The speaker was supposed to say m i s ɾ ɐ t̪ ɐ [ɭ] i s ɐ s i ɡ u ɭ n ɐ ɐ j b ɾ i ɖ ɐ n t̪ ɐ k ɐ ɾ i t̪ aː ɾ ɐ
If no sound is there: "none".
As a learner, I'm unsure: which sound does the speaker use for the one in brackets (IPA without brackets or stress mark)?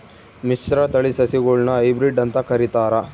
ɭ